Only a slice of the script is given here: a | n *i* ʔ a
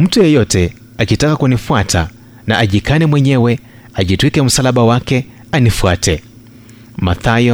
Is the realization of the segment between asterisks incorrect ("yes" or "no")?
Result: yes